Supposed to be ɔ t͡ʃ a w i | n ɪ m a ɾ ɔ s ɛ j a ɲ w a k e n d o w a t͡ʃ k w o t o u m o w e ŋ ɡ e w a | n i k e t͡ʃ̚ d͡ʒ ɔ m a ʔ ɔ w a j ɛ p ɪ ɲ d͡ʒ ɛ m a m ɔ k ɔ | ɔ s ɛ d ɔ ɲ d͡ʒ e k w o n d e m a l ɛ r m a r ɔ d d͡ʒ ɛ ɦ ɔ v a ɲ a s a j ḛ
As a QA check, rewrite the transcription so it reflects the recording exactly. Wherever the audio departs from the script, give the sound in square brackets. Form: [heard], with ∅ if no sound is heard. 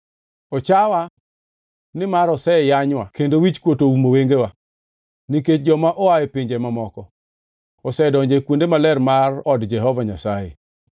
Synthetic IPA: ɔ t͡ʃ a w [a] | n ɪ m a ɾ ɔ s ɛ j a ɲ w a k e n d o w [i] t͡ʃ k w o t o u m o w e ŋ ɡ e w a | n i k e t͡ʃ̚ d͡ʒ ɔ m a ʔ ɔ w a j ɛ p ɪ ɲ d͡ʒ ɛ m a m ɔ k ɔ | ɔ s ɛ d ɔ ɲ d͡ʒ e k w o n d e m a l ɛ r m a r ɔ d d͡ʒ ɛ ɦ ɔ v a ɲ a s a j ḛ